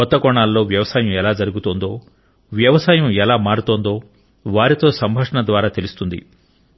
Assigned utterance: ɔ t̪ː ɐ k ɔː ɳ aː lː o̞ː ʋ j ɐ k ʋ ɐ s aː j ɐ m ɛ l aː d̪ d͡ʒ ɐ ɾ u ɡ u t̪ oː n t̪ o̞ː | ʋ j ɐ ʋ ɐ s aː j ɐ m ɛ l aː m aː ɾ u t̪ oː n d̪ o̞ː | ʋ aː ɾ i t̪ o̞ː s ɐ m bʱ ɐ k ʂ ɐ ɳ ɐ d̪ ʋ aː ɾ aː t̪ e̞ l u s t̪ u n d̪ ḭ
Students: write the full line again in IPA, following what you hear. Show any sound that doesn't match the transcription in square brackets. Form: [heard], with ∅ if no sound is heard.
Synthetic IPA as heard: ɔ t̪ː ɐ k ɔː ɳ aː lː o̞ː ʋ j ɐ [∅] ʋ ɐ s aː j ɐ m ɛ l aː [∅] d͡ʒ ɐ ɾ u ɡ u t̪ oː n [d̪] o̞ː | ʋ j ɐ ʋ ɐ s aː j ɐ m ɛ l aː m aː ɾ u t̪ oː n d̪ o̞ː | ʋ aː ɾ i t̪ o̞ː s ɐ m bʱ ɐ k ʂ ɐ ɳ ɐ d̪ ʋ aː ɾ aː t̪ e̞ l u s t̪ u n d̪ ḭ